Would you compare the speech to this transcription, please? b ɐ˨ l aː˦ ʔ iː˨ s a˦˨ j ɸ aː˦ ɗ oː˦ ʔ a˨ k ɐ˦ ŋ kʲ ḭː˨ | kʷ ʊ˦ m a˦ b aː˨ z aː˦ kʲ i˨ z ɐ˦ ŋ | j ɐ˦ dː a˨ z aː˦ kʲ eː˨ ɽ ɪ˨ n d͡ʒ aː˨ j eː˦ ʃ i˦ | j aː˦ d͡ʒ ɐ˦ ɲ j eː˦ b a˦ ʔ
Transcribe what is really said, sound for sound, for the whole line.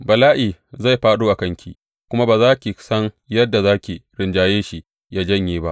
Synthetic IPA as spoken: b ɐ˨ l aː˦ ʔ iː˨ z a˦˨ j ɸ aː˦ ɗ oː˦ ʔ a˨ k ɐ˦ ŋ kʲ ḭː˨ | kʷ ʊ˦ m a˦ b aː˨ z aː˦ kʲ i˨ s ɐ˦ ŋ | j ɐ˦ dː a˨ z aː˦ kʲ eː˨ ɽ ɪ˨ n d͡ʒ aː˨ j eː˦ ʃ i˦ | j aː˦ d͡ʒ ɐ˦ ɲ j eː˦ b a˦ ʔ